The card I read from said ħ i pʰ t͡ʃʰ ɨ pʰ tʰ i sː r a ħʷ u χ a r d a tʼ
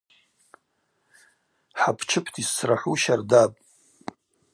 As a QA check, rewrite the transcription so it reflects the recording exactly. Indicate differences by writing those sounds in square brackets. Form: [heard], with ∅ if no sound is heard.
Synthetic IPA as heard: ħ [a] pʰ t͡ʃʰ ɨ pʰ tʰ i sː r a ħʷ u [ʃ] a r d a [pʼ]